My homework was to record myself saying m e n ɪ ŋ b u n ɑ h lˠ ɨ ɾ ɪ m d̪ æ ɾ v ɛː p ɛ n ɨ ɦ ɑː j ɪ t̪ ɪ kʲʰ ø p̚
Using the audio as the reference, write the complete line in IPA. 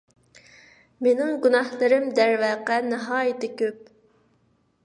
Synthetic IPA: m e n ɪ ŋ ɡ u n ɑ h lˠ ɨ ɾ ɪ m d̪ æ ɾ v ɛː q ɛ n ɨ ɦ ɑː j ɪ t̪ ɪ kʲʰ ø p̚